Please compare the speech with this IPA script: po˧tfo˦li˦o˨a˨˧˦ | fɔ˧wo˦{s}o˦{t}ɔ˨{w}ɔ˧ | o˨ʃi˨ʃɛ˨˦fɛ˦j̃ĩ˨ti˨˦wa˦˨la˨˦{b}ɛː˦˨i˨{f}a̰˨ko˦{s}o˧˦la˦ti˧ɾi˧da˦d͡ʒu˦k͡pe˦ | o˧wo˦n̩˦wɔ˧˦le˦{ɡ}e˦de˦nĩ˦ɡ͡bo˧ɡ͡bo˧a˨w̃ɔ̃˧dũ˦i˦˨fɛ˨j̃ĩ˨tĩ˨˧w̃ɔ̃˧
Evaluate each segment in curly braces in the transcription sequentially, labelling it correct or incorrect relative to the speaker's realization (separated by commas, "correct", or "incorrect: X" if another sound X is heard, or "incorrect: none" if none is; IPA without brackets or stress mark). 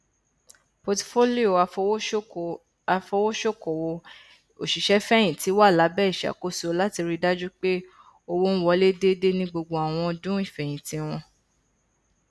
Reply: incorrect: ʃ, incorrect: k, correct, correct, incorrect: ʃ, correct, incorrect: d